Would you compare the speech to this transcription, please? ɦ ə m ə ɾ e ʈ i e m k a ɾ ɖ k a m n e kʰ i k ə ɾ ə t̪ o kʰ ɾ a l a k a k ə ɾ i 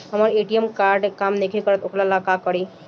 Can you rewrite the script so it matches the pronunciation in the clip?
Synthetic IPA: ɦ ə m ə ɾ e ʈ i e m k a ɾ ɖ k a m n e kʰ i k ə ɾ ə t̪ o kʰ l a l a k a k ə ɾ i